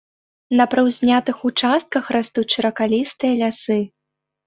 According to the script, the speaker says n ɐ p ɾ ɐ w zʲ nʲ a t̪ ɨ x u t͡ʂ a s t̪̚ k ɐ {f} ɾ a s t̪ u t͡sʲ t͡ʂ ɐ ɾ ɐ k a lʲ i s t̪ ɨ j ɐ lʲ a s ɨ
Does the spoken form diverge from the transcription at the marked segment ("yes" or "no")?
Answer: yes